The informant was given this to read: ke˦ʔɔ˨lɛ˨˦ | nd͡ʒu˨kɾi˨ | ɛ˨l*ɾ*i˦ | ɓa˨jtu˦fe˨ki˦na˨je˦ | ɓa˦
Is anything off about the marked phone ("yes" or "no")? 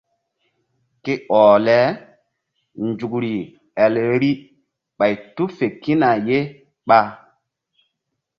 no